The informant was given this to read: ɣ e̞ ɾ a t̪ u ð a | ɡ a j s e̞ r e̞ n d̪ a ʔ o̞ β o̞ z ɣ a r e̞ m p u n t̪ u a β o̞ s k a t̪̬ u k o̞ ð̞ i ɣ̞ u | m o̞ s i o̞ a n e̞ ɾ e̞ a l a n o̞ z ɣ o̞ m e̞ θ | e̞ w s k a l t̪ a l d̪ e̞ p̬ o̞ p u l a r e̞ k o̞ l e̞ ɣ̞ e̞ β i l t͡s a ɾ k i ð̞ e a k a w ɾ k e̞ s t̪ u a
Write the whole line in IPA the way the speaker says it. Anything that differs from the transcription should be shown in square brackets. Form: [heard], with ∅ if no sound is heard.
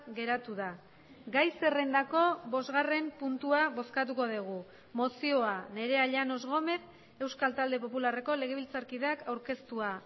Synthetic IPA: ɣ e̞ ɾ a t̪ u ð a | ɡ a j s e̞ r e̞ n d̪ a [k] o̞ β o̞ z ɣ a r e̞ m p u n t̪ u a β o̞ s k a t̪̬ u k o̞ ð̞ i ɣ̞ u | m o̞ s i o̞ a n e̞ ɾ e̞ a [ʎ] a n o̞ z ɣ o̞ m e̞ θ | e̞ w s k a l t̪ a l d̪ e̞ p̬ o̞ p u l a r e̞ k o̞ l e̞ ɣ̞ e̞ β i l t͡s a ɾ k i ð̞ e a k a w ɾ k e̞ s t̪ u a